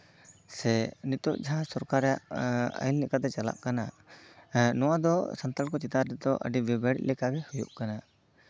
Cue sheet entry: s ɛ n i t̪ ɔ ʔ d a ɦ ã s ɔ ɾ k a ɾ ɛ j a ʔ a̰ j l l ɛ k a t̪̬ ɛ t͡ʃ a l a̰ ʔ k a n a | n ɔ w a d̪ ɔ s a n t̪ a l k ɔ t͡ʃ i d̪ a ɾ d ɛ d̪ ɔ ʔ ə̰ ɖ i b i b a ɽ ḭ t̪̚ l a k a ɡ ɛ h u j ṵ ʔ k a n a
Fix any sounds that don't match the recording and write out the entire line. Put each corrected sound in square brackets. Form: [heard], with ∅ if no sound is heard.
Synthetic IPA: s ɛ n i t̪ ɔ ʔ [d͡ʒ] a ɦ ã s ɔ ɾ k a ɾ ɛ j a ʔ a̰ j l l ɛ k a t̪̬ ɛ t͡ʃ a l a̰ ʔ k a n a | n ɔ w a d̪ ɔ s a n t̪ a l k ɔ t͡ʃ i [t̪] a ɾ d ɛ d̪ ɔ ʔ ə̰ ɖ i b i b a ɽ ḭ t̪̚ l [ɛ] k a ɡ ɛ h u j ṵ ʔ k a n a